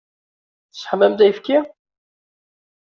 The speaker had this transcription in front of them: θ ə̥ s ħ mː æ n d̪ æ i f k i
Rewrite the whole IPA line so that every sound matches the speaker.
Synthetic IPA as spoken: θ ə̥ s ħ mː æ m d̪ æ j f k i